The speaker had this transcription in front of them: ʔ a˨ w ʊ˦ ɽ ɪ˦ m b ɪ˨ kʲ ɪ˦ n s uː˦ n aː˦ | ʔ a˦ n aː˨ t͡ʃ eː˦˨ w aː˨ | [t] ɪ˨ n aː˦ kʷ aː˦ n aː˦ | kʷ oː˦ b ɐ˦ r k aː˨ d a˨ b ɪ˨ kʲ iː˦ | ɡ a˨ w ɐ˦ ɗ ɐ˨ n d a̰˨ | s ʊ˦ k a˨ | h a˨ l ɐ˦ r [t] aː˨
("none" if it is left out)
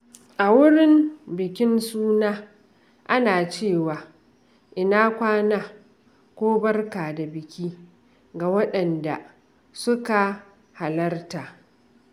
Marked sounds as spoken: ʔ, t

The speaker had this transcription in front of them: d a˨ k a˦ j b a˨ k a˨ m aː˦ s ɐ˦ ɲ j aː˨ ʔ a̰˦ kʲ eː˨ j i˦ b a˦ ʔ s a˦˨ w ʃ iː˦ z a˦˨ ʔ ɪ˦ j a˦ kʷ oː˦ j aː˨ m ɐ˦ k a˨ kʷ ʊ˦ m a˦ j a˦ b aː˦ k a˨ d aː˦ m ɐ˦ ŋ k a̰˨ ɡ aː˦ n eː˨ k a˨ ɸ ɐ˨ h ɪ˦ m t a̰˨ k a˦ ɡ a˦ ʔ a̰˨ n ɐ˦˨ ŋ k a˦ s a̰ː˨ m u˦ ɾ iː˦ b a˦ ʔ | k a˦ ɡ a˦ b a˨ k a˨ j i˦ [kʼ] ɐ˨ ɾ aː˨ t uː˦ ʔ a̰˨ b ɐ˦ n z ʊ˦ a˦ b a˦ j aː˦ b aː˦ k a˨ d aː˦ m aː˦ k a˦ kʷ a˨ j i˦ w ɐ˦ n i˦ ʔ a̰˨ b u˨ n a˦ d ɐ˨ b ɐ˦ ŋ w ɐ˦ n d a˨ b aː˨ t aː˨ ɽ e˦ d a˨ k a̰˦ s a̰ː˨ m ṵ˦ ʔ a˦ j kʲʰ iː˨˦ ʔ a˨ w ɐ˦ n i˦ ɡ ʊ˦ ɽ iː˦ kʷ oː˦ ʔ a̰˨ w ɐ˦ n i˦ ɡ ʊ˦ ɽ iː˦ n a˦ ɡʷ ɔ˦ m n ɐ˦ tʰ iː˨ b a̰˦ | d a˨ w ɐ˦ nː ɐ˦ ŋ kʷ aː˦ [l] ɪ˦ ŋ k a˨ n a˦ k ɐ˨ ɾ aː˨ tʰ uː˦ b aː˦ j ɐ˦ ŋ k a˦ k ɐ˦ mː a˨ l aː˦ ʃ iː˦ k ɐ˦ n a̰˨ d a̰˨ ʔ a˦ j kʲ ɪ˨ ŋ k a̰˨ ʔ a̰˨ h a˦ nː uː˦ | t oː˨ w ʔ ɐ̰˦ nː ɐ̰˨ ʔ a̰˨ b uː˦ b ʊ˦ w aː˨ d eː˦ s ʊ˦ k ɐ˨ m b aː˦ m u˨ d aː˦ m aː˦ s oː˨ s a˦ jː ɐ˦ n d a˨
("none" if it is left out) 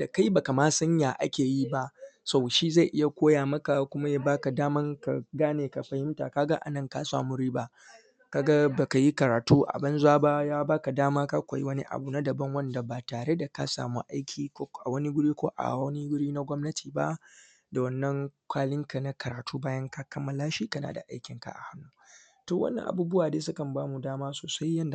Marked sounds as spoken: k, l

